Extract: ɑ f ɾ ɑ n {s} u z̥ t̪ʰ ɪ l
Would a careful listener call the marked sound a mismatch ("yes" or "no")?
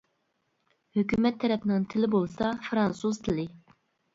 no